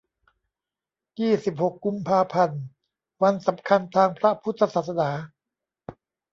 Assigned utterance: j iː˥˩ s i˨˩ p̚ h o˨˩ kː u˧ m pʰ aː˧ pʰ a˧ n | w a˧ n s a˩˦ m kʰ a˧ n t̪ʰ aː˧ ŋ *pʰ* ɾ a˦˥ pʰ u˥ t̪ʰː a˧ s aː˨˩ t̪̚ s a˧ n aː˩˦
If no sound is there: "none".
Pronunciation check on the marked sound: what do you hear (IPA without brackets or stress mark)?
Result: pʰ